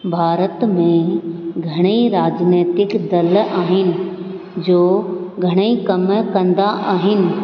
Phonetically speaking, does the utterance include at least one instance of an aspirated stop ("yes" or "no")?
no